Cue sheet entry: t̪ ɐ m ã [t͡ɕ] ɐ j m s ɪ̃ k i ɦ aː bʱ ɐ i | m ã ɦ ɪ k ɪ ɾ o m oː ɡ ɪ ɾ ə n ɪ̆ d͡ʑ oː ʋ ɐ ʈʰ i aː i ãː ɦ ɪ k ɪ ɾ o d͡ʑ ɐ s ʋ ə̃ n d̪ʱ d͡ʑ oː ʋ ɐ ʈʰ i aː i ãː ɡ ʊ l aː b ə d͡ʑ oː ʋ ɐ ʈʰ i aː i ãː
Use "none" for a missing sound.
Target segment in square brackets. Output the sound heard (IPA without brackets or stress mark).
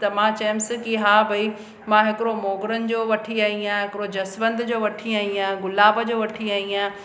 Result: t͡ɕ